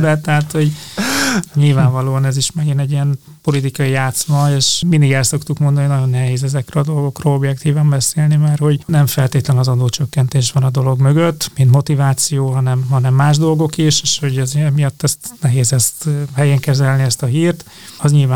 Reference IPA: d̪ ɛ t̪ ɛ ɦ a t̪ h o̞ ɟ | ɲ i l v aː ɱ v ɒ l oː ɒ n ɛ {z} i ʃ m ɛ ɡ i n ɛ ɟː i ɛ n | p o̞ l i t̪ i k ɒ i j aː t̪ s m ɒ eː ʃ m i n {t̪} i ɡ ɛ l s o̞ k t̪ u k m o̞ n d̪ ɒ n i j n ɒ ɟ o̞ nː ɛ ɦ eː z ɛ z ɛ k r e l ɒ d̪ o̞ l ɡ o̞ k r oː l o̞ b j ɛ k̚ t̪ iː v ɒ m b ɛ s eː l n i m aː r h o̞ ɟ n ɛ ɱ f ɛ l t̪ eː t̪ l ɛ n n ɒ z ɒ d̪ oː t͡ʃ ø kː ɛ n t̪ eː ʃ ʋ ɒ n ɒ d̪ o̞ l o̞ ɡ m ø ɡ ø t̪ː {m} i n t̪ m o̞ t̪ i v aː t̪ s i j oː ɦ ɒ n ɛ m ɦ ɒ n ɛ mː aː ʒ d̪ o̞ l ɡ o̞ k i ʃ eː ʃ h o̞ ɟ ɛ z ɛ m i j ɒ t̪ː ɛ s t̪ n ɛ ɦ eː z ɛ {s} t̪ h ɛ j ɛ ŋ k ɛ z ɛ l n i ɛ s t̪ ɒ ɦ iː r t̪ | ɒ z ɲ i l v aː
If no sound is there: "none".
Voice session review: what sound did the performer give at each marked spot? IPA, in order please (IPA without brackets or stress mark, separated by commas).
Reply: z, d̪, m, s